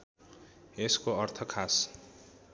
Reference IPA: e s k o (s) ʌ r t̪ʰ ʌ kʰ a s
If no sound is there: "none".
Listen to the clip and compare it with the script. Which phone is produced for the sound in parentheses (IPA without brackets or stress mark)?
none